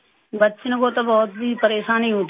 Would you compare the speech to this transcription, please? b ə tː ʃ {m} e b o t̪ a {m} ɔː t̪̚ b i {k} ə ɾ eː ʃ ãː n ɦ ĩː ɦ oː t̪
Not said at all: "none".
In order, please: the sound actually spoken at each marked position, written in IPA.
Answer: n, b, p

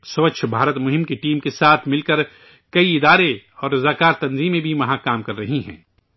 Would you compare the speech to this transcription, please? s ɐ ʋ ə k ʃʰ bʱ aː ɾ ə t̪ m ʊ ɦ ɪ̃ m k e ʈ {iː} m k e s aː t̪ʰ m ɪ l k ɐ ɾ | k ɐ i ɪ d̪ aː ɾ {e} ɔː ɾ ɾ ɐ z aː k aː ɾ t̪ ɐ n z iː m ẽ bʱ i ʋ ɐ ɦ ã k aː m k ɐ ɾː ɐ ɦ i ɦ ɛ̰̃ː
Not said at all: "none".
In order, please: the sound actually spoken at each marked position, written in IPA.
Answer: iː, e

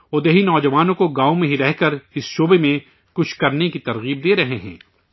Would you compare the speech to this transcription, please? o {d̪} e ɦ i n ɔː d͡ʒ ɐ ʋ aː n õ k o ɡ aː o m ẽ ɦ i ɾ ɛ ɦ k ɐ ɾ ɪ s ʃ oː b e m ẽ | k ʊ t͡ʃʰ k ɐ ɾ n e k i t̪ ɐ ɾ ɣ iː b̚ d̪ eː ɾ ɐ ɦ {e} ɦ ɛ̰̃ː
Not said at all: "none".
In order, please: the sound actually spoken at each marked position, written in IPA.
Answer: d̪, e

